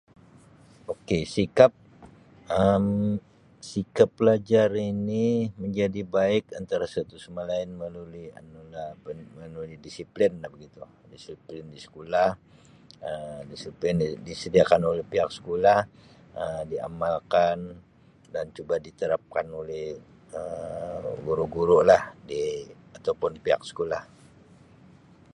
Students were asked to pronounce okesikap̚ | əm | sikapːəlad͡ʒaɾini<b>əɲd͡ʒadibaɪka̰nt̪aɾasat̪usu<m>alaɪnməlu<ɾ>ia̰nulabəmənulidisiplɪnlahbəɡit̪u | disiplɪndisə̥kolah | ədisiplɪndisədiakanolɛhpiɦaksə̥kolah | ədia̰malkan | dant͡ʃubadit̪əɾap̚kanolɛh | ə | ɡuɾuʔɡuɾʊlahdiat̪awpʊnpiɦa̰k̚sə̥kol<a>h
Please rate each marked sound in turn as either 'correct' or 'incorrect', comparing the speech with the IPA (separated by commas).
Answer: incorrect, correct, incorrect, correct